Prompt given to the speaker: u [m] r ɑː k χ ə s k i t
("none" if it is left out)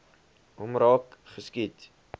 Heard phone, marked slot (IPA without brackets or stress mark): m